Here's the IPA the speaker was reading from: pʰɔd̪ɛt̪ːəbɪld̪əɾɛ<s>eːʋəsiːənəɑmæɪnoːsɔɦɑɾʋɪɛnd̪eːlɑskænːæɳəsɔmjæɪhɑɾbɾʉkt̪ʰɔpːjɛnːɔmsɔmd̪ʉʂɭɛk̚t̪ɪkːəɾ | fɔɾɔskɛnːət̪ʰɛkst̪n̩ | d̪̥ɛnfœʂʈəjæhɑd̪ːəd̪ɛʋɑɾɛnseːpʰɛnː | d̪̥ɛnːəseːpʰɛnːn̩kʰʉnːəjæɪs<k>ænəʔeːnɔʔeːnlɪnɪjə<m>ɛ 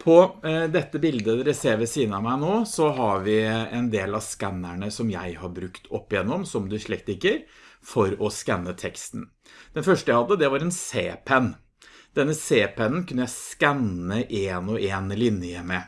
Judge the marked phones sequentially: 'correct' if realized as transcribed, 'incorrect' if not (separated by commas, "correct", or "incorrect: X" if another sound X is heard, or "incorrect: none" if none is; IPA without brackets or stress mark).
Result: correct, correct, correct